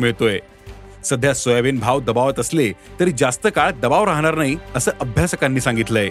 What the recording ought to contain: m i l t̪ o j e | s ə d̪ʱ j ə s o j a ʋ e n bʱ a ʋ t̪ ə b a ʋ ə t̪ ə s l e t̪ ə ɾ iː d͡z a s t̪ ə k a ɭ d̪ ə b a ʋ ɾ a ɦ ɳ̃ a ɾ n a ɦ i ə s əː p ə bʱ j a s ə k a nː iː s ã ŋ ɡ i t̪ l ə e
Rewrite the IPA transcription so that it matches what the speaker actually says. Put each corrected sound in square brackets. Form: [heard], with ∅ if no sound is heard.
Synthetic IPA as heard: m i [ɭ] t̪ o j e | s ə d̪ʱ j [a] s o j a ʋ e n bʱ a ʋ [d̪] ə b a ʋ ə t̪ ə s l e t̪ ə ɾ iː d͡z a s t̪ ə k a ɭ d̪ ə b a ʋ ɾ a ɦ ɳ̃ a ɾ n a ɦ i ə s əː [ʔ] ə bʱ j a s ə k a nː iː s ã ŋ ɡ i t̪ l ə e